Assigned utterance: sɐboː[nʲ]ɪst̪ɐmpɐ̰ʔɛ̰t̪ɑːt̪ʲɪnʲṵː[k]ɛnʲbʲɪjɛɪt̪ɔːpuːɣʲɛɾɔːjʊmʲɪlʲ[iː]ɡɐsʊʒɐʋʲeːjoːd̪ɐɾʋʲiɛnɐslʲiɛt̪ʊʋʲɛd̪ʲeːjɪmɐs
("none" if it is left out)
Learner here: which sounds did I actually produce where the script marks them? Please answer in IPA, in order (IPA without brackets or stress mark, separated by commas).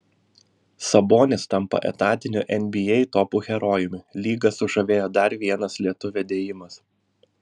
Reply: nʲ, ʔ, iː